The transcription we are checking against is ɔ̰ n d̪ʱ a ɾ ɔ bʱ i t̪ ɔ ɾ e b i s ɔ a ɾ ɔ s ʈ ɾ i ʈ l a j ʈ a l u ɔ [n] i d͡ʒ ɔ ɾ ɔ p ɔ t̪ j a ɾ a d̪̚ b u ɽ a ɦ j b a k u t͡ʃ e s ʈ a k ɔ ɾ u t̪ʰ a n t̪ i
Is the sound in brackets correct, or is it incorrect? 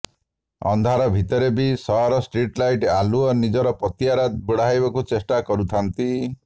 correct